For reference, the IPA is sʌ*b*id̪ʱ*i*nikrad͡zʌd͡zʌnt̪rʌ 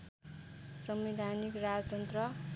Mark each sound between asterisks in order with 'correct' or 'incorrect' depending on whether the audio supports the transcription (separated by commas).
incorrect, incorrect